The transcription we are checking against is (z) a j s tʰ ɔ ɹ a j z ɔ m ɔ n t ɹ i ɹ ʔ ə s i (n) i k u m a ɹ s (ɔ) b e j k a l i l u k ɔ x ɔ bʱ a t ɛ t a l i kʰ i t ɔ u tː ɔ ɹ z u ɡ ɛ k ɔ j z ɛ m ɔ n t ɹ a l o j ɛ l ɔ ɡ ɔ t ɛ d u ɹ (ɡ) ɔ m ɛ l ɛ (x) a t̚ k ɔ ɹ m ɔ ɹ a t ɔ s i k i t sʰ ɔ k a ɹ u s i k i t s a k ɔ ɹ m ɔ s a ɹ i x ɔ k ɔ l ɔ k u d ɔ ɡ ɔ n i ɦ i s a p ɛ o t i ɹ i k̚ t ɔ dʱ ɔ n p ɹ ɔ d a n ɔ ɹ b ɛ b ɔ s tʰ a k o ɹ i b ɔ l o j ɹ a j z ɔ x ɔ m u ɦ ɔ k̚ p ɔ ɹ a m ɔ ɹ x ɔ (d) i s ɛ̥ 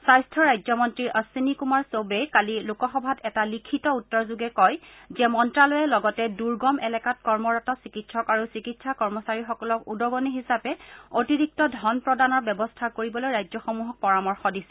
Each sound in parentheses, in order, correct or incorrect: incorrect, correct, incorrect, correct, incorrect, correct

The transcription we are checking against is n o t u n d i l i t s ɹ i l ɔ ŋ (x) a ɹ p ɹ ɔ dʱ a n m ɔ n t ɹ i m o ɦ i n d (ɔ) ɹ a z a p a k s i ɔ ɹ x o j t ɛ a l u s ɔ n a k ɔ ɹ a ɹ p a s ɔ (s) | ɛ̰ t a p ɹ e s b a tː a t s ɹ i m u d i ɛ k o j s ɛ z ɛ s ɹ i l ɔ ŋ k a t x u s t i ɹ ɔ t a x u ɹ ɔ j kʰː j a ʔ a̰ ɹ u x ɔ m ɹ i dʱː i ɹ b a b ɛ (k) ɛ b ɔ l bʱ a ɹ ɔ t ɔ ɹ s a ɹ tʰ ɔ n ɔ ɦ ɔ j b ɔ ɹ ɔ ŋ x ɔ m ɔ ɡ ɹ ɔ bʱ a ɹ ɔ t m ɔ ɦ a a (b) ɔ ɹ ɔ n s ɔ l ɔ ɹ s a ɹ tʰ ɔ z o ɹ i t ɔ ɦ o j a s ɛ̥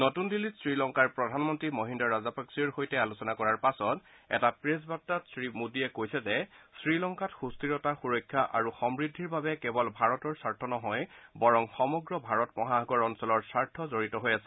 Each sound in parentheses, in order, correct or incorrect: incorrect, correct, incorrect, correct, incorrect

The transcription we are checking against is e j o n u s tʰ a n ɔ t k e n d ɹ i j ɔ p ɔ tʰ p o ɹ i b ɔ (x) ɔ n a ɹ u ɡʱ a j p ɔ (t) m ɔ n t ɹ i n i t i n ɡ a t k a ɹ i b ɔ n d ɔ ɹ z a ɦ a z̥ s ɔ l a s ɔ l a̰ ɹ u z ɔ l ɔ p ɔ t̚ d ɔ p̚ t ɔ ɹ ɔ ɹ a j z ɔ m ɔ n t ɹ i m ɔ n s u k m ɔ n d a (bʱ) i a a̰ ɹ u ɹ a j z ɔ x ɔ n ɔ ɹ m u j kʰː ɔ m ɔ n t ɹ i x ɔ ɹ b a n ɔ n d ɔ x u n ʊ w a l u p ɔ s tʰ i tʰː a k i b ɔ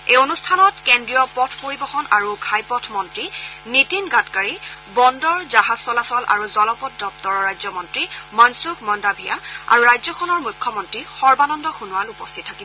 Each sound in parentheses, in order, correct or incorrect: correct, incorrect, correct

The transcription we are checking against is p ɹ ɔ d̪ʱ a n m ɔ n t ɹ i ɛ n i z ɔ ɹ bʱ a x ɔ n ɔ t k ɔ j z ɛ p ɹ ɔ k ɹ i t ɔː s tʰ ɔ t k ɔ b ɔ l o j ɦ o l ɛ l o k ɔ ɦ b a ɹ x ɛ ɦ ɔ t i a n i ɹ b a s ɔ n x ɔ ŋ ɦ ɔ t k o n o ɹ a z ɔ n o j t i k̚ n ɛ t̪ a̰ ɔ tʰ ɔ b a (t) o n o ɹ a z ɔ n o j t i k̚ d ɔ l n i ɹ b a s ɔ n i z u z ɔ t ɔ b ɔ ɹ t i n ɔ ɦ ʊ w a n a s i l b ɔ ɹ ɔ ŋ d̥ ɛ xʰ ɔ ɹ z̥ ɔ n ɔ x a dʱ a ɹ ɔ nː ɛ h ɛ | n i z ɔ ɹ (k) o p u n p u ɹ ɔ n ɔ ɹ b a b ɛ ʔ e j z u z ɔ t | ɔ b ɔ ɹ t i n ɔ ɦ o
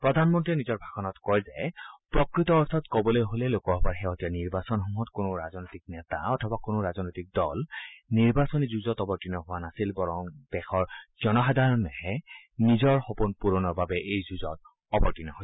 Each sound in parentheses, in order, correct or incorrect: incorrect, incorrect

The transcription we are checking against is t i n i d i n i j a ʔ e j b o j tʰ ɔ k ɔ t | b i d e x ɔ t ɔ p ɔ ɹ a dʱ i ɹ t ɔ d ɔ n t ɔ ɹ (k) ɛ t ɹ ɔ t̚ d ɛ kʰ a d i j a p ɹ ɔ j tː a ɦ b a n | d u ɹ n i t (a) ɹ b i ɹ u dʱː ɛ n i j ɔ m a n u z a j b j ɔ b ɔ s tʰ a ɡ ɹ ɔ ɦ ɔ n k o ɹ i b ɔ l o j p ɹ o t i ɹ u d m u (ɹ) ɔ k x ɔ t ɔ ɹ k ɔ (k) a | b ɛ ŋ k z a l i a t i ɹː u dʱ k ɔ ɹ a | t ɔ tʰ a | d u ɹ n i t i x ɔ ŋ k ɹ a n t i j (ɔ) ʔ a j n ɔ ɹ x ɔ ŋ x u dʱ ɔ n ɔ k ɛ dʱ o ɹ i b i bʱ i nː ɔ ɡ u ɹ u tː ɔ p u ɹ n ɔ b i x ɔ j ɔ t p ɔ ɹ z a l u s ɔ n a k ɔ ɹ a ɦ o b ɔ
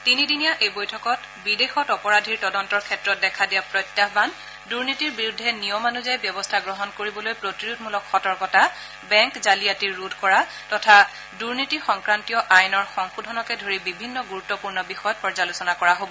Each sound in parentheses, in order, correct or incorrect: incorrect, incorrect, incorrect, incorrect, correct

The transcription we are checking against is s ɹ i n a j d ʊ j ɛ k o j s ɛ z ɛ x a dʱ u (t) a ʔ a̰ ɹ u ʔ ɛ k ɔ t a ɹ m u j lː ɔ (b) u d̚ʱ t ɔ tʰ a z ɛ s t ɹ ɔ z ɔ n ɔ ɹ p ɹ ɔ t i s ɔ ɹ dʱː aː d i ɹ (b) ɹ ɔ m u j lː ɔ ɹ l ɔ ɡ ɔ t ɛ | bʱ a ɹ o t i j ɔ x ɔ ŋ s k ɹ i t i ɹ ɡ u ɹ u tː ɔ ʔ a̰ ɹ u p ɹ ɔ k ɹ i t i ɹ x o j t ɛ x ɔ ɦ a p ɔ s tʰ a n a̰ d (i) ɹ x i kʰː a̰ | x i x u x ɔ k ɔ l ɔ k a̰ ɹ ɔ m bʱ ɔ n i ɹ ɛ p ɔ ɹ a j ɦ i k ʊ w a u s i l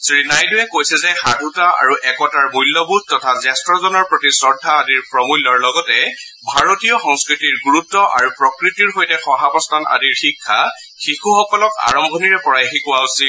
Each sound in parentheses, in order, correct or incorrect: correct, correct, incorrect, correct

